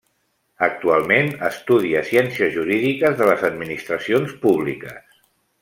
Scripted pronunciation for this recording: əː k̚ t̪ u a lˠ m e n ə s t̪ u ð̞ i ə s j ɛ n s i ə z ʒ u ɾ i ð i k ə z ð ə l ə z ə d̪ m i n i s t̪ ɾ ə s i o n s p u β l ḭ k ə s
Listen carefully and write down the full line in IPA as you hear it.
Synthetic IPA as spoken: ə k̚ t̪ u a lˠ m e n ə s t̪ u ð̞ i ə s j ɛ n s i ə z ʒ u ɾ i ð i k ə z ð ə l ə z ə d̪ m i n i s t̪ ɾ ə s i o n s p u β l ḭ k ə s